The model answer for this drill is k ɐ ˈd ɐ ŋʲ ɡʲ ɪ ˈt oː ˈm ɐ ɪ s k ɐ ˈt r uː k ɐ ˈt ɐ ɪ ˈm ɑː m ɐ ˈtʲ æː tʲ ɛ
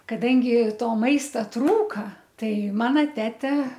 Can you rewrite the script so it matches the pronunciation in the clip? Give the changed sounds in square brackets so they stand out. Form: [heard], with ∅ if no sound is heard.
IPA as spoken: k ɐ ˈd ɐ ŋʲ ɡʲ ɪ ˈt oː ˈm ɐ ɪ s [t] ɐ ˈt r uː k ɐ ˈt ɐ ɪ ˈm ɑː [n] ɐ ˈtʲ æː tʲ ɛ